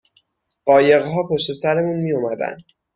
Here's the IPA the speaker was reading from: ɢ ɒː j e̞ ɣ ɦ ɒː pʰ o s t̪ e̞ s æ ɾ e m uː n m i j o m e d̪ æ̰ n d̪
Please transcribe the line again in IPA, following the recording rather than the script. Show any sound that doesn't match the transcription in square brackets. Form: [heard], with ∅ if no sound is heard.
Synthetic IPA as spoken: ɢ ɒː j e̞ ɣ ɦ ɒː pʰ o [ʃ] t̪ e̞ s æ ɾ e m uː n m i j o m [æ] d̪ æ̰ n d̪